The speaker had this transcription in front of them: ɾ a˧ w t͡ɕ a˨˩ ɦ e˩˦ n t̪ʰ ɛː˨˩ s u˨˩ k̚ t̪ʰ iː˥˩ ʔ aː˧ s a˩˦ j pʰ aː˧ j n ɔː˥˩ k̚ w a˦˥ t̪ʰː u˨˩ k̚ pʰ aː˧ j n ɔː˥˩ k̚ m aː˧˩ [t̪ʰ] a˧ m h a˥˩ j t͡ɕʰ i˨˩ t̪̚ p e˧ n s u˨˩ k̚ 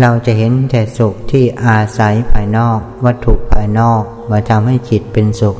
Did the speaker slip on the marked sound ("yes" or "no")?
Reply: no